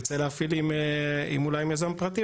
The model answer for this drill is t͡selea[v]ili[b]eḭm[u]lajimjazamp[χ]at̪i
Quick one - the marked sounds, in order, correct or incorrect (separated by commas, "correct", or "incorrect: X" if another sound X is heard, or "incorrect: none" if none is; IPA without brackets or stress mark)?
incorrect: f, incorrect: m, correct, incorrect: ʁ